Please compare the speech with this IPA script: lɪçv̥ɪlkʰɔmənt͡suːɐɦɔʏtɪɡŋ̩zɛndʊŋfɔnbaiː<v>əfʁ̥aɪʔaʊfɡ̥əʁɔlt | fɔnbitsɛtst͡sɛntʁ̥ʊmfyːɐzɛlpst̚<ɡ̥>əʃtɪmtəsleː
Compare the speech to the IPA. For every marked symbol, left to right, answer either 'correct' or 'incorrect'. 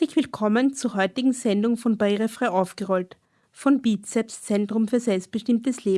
incorrect, incorrect

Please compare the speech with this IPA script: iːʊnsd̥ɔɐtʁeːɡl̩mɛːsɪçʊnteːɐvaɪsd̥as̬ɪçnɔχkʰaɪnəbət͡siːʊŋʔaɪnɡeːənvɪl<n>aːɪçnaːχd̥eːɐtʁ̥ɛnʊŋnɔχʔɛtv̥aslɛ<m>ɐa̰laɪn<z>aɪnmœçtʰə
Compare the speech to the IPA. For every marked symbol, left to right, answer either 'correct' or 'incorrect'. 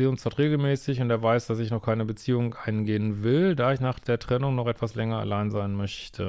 incorrect, incorrect, correct

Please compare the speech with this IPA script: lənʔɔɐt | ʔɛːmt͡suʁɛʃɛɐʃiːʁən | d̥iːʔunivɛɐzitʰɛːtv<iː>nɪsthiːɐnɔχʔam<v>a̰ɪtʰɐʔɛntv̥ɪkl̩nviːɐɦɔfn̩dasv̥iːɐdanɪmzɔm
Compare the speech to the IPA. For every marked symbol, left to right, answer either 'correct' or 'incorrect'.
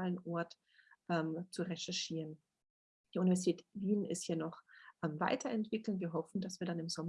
correct, correct

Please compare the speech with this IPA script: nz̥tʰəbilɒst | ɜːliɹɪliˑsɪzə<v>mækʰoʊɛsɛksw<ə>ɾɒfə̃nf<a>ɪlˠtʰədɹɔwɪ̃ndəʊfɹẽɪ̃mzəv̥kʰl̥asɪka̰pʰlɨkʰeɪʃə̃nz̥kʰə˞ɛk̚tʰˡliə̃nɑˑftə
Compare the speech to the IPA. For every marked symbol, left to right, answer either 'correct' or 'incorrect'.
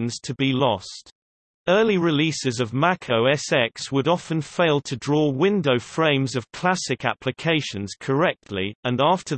correct, correct, incorrect

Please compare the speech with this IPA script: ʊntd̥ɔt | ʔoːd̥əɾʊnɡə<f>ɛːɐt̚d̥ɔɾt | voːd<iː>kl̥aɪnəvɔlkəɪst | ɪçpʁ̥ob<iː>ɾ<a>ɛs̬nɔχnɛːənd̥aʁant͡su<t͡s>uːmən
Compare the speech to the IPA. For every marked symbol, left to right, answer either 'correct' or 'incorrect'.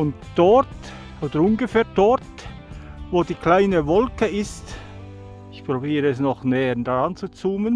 correct, correct, correct, incorrect, correct

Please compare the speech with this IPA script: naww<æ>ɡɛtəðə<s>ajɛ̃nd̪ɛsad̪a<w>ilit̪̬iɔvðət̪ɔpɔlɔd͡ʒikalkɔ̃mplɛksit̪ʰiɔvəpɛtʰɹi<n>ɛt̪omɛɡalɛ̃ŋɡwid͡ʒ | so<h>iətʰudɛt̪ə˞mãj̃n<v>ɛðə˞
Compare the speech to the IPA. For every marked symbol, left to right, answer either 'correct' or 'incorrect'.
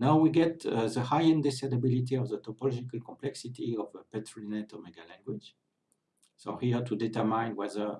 incorrect, incorrect, incorrect, correct, correct, incorrect

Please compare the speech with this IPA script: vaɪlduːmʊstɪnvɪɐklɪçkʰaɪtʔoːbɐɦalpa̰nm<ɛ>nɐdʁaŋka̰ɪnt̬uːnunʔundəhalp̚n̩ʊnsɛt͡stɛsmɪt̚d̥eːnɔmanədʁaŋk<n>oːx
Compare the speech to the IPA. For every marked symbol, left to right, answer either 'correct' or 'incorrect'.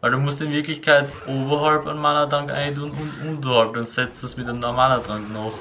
incorrect, correct

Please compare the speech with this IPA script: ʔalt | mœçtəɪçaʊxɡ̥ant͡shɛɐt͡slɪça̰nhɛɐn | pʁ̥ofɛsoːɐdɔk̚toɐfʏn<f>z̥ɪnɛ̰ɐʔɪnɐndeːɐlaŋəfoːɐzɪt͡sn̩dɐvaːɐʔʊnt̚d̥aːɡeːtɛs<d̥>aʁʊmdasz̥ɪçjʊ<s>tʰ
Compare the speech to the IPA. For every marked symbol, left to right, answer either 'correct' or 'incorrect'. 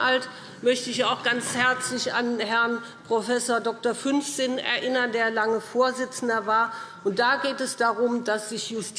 correct, correct, correct

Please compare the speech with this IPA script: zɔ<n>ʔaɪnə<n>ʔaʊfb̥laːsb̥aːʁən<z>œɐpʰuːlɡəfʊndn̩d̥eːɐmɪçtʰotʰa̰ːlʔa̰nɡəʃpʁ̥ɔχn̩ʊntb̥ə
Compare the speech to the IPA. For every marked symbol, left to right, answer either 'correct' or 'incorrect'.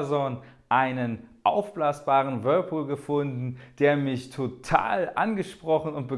correct, correct, incorrect

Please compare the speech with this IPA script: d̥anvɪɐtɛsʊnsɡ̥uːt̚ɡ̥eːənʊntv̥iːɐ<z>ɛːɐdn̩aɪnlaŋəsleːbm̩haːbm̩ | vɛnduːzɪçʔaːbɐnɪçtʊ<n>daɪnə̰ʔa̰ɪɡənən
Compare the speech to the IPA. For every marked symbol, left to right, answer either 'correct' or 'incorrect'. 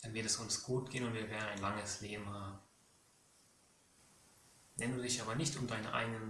incorrect, incorrect

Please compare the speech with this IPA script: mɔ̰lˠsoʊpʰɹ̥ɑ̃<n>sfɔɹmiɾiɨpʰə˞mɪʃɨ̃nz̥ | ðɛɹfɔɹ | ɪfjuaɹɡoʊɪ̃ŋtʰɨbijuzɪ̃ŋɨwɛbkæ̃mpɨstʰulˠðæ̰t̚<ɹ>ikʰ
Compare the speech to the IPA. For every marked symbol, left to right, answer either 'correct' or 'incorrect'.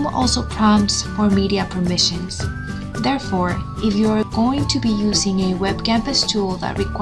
incorrect, correct

